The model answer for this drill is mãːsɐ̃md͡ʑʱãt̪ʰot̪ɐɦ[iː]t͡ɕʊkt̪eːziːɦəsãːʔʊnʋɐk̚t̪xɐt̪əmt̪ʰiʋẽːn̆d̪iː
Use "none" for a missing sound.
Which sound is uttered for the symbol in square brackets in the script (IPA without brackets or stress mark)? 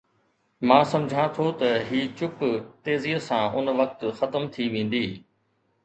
iː